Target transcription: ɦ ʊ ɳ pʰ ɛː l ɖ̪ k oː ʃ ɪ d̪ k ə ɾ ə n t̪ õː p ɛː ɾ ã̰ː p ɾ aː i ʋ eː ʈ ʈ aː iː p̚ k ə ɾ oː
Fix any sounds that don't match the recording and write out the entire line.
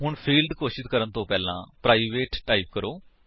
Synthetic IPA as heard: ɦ ʊ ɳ pʰ iː l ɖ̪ k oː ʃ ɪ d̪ k ə ɾ ə n t̪ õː p ɛː l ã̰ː p ɾ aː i ʋ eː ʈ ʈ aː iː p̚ k ə ɾ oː